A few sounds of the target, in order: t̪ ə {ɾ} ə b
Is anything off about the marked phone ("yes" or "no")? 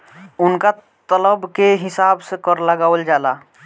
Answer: yes